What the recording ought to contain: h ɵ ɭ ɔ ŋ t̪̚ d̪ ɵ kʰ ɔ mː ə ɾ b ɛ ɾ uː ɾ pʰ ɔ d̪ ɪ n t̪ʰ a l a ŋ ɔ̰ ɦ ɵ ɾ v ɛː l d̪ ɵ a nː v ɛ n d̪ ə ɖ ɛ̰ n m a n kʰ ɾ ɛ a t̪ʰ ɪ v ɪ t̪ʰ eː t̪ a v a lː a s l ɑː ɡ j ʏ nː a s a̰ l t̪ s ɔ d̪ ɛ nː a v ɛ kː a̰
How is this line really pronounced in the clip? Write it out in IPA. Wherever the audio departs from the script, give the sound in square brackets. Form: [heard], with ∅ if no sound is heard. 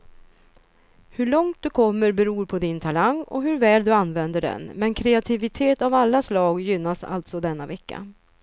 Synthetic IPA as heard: h ɵ ɭ ɔ ŋ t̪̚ d̪ ɵ kʰ ɔ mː ə ɾ b ɛ ɾ uː ɾ pʰ ɔ d̪ ɪ n t̪ʰ a l a ŋ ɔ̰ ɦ ɵ ɾ v ɛː l d̪ ɵ a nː v ɛ n d̪ ə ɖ ɛ̰ n m [ɛ] n kʰ ɾ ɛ a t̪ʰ ɪ v ɪ t̪ʰ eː t̪ a v a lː a s l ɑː ɡ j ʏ nː a s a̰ l t̪ s ɔ d̪ ɛ nː a v ɛ kː a̰